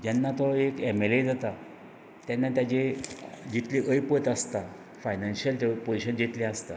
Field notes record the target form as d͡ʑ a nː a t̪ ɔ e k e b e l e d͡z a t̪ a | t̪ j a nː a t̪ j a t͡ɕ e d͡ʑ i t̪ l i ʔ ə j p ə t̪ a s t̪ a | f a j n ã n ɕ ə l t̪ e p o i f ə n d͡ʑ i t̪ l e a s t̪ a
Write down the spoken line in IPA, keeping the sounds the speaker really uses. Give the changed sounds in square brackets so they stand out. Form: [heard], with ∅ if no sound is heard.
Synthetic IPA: d͡ʑ a nː a t̪ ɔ e k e [m] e l e d͡z a t̪ a | t̪ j a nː a t̪ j a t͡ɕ e d͡ʑ i t̪ l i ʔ ə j p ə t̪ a s t̪ a | f a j n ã n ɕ ə l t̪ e p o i [ɕ] ə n d͡ʑ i t̪ l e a s t̪ a